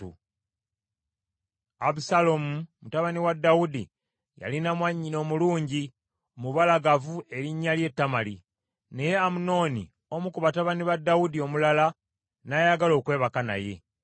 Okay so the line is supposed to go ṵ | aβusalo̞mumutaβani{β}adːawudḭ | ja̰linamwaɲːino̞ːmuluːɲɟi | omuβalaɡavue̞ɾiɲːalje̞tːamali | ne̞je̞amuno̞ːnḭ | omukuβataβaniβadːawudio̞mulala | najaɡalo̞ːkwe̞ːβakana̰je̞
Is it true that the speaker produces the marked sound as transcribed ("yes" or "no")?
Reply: no